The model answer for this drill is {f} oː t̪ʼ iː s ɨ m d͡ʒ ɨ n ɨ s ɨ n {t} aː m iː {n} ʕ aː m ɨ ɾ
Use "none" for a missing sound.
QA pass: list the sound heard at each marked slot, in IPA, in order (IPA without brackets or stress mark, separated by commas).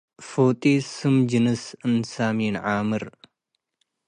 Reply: f, s, n